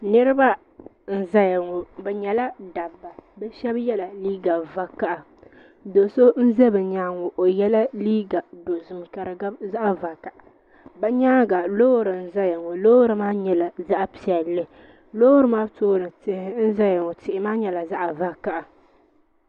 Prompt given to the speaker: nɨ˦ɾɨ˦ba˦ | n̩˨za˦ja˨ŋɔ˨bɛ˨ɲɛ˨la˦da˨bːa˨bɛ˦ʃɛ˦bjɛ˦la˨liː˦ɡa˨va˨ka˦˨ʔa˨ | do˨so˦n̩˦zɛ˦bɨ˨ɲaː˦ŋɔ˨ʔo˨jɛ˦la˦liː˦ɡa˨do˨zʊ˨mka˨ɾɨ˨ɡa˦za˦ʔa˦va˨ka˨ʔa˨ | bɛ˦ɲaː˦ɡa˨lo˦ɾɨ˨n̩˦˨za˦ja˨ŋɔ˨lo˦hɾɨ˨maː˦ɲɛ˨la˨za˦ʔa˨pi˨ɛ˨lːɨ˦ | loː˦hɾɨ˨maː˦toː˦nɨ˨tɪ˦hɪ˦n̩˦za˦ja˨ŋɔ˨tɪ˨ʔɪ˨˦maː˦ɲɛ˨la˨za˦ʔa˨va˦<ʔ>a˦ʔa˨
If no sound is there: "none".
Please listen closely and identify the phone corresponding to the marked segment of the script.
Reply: k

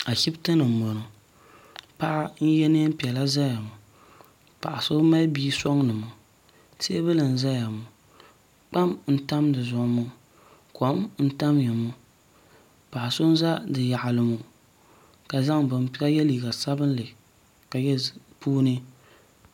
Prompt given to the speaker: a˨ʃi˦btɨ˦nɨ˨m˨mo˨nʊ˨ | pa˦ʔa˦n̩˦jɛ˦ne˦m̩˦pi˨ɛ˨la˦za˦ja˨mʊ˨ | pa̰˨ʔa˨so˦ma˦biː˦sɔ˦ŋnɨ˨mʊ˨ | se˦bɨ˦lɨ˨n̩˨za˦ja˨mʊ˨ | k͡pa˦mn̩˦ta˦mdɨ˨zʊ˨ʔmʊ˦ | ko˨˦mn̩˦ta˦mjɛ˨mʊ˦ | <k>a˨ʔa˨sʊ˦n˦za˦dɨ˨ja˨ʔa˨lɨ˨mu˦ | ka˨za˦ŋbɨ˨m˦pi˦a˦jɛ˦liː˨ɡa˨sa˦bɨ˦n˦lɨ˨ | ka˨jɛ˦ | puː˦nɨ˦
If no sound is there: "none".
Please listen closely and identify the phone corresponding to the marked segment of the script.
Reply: p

